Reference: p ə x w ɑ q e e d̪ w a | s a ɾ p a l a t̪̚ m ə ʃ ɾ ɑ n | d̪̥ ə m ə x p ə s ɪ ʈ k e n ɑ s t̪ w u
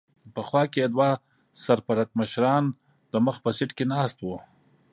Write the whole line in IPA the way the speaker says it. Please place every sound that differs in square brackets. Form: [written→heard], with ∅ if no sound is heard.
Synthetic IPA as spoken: p ə x w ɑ [q→k] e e d̪ w a | s a ɾ p a [l→ɾ] a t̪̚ m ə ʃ ɾ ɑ n | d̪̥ ə m ə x p ə s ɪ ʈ k e n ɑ s t̪ w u